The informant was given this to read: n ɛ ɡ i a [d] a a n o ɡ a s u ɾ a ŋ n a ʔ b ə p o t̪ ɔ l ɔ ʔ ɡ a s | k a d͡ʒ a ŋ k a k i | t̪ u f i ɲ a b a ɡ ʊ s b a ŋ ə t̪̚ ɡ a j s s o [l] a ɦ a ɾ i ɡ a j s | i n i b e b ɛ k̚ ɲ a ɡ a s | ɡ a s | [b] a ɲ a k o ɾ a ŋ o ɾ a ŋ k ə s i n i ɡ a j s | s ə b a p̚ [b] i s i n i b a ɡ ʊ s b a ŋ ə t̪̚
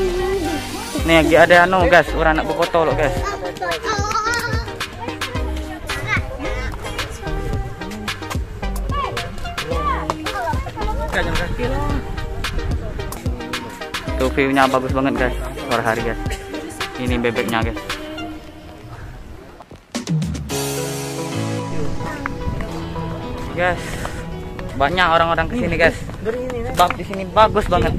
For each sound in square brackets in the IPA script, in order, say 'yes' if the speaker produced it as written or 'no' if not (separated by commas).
yes, no, yes, no